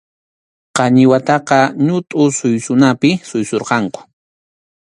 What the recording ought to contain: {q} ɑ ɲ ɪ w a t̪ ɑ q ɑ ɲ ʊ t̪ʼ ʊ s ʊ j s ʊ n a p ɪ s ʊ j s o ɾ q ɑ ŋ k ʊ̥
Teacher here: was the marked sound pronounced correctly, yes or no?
yes